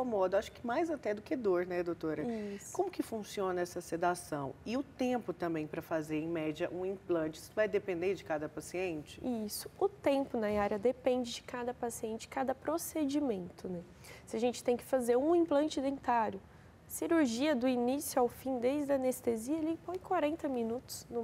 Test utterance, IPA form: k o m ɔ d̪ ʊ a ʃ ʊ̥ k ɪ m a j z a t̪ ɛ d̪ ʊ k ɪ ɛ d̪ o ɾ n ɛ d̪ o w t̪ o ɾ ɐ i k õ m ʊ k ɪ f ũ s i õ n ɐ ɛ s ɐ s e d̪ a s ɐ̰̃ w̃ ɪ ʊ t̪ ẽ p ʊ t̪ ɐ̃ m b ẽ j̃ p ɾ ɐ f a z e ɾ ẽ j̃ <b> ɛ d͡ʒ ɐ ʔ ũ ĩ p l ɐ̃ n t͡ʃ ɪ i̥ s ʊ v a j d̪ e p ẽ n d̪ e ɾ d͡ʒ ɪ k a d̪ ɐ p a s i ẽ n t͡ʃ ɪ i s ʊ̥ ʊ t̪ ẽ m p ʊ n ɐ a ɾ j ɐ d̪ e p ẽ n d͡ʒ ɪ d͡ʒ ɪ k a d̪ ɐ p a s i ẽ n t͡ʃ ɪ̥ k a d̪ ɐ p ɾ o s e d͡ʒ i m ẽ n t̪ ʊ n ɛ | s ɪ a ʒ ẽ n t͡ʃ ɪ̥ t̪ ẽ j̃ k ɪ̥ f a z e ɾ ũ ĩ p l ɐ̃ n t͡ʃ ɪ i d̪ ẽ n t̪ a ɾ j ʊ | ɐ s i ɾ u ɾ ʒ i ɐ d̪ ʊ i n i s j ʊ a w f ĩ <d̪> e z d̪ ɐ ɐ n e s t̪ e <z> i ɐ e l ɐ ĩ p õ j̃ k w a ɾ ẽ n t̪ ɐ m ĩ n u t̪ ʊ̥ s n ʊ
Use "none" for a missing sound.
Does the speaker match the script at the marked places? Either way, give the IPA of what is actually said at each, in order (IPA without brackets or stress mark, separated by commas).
m, d̪, z